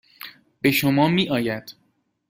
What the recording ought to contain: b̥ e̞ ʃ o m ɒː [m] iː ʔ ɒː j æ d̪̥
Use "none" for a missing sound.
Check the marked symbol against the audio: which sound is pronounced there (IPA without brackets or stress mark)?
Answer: m